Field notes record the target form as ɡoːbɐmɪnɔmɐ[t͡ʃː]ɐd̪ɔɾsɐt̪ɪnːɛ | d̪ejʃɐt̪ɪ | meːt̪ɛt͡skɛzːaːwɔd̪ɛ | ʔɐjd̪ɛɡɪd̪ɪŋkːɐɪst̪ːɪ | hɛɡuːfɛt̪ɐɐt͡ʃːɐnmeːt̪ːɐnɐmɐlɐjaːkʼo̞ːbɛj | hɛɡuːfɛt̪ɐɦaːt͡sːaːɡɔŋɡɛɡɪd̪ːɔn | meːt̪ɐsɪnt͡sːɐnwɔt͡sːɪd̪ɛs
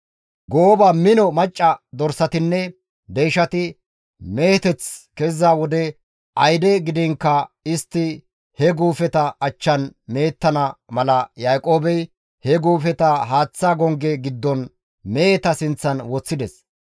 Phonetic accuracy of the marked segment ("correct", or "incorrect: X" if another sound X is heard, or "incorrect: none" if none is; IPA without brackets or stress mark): incorrect: t͡ʃʼː